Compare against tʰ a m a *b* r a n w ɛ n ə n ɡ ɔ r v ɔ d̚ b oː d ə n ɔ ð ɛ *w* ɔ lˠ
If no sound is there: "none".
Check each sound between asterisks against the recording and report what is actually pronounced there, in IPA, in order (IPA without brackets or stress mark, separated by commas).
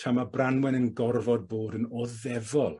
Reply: b, v